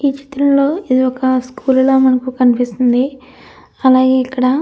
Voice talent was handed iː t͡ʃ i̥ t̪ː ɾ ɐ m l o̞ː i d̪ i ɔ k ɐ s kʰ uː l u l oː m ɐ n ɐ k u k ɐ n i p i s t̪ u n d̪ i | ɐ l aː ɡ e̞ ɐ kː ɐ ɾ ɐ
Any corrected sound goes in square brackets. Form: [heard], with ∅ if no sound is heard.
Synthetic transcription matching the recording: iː t͡ʃ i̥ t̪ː ɾ ɐ m l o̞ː i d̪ i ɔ k ɐ s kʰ uː l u l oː m ɐ n ɐ k u k ɐ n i p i s t̪ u n d̪ i | ɐ l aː ɡ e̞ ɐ kː ɐ [ɽ] ɐ

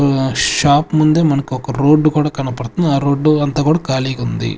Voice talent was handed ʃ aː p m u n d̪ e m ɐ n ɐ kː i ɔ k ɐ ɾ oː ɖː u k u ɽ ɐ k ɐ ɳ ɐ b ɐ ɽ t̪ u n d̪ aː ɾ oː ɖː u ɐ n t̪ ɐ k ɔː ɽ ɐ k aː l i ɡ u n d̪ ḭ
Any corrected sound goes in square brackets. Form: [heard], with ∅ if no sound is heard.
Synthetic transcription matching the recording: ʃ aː p m u n d̪ e m ɐ n ɐ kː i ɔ k ɐ ɾ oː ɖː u k [uː] ɽ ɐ k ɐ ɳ ɐ [p] ɐ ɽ t̪ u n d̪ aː ɾ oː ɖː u ɐ n t̪ ɐ k [uː] ɽ ɐ k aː l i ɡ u n d̪ ḭ

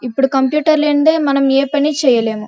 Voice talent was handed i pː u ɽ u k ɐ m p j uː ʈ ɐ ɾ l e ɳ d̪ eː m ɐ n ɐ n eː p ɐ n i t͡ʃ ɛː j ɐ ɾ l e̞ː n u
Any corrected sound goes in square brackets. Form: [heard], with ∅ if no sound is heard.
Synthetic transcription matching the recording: i pː u ɽ u k ɐ m p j uː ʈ ɐ ɾ l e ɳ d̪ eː m ɐ n ɐ [m] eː p ɐ n i t͡ʃ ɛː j ɐ [∅] l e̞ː [m] u

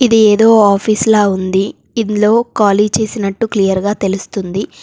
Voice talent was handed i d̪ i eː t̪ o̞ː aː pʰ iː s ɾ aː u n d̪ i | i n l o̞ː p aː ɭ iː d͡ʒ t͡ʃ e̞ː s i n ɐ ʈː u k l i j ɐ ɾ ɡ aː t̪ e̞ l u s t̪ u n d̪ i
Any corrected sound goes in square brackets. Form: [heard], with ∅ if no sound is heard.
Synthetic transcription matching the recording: i d̪ i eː [d̪] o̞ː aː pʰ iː s [l] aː u n d̪ i | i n l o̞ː [k] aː [l] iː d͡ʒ t͡ʃ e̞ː s i n ɐ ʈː u k l i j ɐ ɾ ɡ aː t̪ e̞ l u s t̪ u n d̪ i

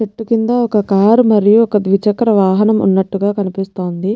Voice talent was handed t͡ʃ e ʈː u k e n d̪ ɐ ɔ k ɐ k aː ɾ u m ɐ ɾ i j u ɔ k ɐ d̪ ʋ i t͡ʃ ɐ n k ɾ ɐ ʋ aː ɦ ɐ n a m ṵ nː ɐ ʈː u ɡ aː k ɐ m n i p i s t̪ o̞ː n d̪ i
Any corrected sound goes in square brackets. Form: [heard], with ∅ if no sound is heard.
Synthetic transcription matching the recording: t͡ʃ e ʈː u k [i] n d̪ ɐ ɔ k ɐ k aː ɾ u m ɐ ɾ i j u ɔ k ɐ d̪ ʋ i t͡ʃ ɐ [∅] k ɾ ɐ ʋ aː ɦ ɐ n [ɐ] m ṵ nː ɐ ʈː u ɡ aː k ɐ [∅] n i p i s t̪ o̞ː n d̪ i

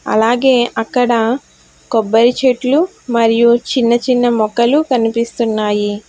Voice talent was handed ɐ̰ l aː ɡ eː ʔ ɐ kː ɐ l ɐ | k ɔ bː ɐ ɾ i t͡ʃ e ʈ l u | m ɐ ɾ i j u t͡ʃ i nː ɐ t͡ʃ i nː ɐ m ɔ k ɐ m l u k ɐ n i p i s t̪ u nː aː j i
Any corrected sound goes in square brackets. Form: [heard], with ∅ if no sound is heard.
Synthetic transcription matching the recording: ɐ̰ l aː ɡ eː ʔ ɐ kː ɐ [ɽ] ɐ | k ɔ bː ɐ ɾ i t͡ʃ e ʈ l u | m ɐ ɾ i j u t͡ʃ i nː ɐ t͡ʃ i nː ɐ m ɔ k ɐ [∅] l u k ɐ n i p i s t̪ u nː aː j i

